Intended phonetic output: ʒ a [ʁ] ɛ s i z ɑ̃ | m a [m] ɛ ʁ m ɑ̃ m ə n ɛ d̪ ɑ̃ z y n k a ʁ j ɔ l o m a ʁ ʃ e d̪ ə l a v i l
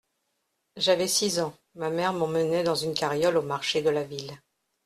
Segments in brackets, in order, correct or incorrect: incorrect: v, correct

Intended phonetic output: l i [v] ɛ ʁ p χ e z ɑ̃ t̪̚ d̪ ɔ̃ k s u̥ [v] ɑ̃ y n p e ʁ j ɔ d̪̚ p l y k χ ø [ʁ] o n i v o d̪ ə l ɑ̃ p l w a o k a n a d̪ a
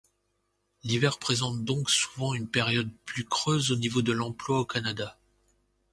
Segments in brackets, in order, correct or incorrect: correct, correct, incorrect: z

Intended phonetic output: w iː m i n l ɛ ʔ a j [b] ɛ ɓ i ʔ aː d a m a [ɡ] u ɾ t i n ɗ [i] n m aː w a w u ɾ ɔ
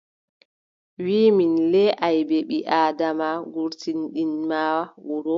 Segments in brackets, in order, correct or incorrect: correct, correct, correct

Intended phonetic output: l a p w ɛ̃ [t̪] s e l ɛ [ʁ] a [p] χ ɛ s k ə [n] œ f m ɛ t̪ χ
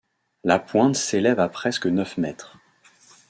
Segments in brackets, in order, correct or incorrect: correct, incorrect: v, correct, correct

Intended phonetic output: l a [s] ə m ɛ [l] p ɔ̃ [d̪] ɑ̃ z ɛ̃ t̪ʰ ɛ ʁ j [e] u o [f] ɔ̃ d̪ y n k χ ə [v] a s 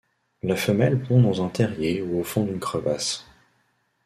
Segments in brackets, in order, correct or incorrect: incorrect: f, correct, correct, correct, correct, correct

